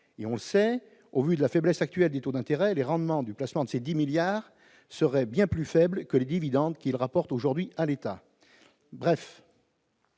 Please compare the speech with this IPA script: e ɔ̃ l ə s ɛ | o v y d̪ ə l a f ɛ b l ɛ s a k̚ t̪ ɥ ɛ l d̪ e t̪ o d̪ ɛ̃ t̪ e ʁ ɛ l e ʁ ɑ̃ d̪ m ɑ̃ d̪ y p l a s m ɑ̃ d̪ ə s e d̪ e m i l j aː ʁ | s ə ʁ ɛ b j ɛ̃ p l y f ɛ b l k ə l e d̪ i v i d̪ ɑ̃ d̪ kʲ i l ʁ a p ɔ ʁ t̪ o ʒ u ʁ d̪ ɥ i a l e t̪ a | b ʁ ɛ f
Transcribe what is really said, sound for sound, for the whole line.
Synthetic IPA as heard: e ɔ̃ l ə s ɛ | o v y d̪ ə l a f ɛ b l ɛ s a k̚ t̪ ɥ ɛ l d̪ e t̪ o d̪ ɛ̃ t̪ e ʁ ɛ l e ʁ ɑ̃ d̪ m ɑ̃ d̪ y p l a s m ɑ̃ d̪ ə s e d̪ i m i l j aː ʁ | s ə ʁ ɛ b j ɛ̃ p l y f ɛ b l k ə l e d̪ i v i d̪ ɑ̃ d̪ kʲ i l ʁ a p ɔ ʁ t̪ o ʒ u ʁ d̪ ɥ i a l e t̪ a | b ʁ ɛ f